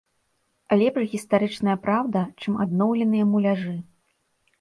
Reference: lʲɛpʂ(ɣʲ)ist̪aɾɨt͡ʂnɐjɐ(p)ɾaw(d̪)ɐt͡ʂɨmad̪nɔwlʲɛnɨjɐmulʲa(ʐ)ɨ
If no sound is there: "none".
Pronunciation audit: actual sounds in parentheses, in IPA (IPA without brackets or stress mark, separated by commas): ɣʲ, p, d̪, ʐ